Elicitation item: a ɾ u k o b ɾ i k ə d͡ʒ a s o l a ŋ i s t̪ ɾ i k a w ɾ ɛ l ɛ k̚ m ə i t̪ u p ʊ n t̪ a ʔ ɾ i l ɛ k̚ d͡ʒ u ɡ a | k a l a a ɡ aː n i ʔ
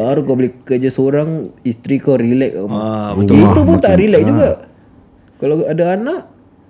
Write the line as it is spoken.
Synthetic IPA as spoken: a ɾ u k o b l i k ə d͡ʒ a s o ɾ a ŋ i s t̪ ɾ i k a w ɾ i l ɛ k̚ m a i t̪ u p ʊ n t̪ a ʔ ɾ i l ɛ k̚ d͡ʒ u ɡ a | k a l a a d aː n a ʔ